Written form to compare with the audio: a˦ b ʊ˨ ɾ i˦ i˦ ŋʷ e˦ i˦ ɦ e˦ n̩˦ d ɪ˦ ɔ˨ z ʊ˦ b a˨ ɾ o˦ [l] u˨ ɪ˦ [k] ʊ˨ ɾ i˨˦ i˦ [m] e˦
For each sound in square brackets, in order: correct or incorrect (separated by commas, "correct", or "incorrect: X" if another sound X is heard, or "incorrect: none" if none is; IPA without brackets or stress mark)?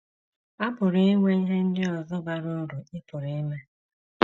incorrect: ɾ, incorrect: p, correct